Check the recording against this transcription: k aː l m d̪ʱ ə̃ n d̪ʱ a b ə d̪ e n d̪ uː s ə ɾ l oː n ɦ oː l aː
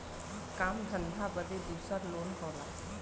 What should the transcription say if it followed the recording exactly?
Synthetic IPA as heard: k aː m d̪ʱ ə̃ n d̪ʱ a b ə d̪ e d̪ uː s ə ɾ l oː n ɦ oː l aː